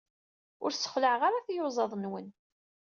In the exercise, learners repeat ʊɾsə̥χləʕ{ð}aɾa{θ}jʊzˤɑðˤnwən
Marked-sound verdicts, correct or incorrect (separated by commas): incorrect, correct